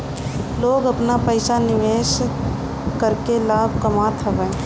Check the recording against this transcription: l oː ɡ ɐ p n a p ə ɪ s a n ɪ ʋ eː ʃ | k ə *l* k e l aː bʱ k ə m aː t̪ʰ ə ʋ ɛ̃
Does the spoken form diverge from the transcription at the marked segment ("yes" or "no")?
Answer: yes